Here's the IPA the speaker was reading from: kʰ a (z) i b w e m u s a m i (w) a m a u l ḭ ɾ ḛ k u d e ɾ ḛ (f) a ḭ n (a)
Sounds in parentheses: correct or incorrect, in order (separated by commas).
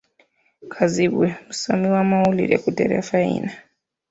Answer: correct, correct, correct, correct